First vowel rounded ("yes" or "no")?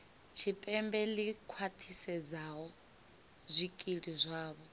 no